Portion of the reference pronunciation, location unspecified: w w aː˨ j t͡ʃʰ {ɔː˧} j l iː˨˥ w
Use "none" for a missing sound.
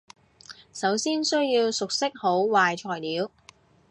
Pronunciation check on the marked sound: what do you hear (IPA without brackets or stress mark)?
ɔː˨˩